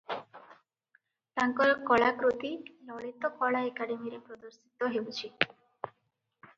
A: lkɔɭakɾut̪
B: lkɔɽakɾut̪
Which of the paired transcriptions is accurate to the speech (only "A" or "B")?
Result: A